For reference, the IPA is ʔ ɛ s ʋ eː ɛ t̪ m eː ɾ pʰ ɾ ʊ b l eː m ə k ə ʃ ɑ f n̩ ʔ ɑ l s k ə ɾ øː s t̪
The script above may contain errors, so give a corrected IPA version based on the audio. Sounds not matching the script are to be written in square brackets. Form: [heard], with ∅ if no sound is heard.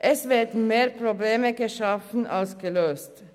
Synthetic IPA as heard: ʔ ɛ s ʋ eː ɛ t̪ m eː ɾ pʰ ɾ ʊ b l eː m ə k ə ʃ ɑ f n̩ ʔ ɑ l s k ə [l] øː s t̪